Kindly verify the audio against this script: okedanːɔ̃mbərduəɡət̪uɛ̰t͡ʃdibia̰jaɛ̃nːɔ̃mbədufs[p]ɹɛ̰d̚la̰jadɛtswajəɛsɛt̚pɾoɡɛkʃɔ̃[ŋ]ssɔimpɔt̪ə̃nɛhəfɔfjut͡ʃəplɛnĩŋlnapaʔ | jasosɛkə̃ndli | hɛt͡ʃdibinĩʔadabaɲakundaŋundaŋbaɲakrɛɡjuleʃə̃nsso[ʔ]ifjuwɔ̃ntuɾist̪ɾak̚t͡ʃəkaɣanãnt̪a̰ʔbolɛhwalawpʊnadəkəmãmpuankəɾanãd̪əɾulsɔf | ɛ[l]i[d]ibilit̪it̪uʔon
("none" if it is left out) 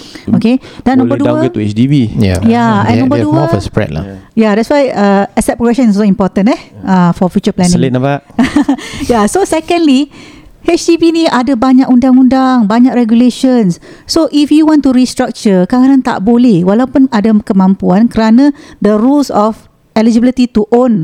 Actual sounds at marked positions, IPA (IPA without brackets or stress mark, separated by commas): p, n, ʔ, l, d͡ʒ